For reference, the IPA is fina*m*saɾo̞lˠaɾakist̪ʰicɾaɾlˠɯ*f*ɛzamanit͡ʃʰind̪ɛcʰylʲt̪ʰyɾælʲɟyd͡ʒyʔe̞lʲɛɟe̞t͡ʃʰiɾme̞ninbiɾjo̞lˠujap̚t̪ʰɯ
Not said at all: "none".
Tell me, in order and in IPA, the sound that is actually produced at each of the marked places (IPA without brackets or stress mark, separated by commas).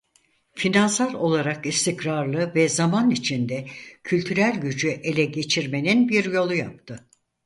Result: n, v